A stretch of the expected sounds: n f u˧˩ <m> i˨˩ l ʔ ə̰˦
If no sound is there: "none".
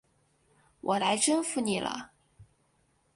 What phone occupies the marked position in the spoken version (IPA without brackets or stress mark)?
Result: n